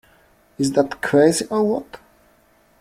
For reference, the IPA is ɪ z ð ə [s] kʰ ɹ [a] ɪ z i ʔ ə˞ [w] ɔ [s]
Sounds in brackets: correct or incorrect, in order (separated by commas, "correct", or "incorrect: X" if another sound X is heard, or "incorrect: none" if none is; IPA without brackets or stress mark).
incorrect: t, incorrect: e, correct, incorrect: t